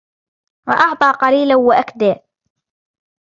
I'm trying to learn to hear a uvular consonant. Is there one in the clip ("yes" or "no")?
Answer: yes